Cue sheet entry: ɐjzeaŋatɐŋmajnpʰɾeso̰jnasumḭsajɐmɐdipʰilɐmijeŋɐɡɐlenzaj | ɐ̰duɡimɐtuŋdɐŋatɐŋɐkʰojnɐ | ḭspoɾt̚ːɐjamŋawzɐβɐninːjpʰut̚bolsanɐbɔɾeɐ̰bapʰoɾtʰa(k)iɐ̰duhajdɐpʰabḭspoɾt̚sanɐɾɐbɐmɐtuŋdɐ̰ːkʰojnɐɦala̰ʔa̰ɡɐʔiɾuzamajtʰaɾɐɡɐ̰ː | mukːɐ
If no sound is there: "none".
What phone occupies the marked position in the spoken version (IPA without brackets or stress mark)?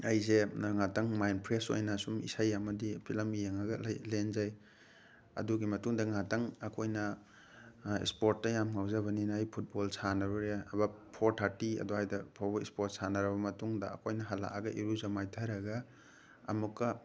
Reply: t